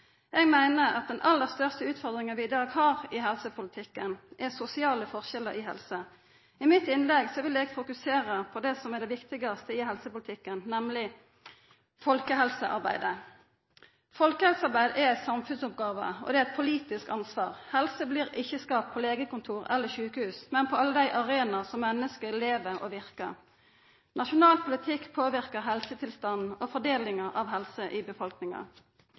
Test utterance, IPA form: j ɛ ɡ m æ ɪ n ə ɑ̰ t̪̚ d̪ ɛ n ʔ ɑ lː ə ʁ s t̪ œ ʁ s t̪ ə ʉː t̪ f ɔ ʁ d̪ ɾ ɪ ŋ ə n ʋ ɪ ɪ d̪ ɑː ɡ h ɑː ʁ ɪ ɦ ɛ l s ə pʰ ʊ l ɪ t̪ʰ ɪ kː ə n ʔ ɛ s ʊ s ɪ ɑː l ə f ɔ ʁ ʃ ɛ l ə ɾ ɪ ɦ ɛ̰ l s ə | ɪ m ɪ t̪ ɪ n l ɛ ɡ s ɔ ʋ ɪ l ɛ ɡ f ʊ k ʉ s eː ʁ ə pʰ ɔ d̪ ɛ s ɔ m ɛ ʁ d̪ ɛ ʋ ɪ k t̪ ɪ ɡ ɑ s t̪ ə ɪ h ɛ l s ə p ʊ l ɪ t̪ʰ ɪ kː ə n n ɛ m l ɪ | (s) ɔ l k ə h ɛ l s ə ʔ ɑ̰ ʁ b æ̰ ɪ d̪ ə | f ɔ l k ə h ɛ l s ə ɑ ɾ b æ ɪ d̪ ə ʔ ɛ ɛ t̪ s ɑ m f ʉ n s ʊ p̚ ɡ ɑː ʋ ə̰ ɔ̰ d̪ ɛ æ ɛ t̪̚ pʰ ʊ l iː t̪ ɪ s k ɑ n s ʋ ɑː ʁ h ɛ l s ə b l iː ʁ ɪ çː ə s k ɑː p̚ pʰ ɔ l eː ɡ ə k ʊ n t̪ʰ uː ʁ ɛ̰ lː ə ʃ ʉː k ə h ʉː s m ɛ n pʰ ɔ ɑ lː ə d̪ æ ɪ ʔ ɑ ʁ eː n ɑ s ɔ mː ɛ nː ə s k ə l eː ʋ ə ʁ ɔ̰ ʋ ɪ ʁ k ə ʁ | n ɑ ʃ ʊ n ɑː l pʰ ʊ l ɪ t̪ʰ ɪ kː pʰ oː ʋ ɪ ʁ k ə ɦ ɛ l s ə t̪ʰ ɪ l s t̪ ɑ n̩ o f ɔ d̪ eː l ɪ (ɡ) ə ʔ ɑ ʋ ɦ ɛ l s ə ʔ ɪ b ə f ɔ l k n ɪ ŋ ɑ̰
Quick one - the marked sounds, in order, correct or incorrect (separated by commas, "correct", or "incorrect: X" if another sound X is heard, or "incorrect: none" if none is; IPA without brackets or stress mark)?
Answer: incorrect: f, incorrect: ŋ